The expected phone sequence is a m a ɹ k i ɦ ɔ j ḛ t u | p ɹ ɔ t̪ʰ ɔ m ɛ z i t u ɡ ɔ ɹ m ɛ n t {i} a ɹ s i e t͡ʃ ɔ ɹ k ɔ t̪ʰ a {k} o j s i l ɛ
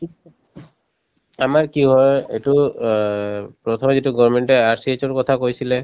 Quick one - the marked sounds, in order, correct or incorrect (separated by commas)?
incorrect, correct